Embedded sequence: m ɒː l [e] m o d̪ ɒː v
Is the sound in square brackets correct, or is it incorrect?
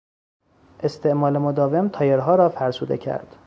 correct